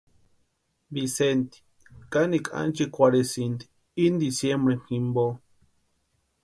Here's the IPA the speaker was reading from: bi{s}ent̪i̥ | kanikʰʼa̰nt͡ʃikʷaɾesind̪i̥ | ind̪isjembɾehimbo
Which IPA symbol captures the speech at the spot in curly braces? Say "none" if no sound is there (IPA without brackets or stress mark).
s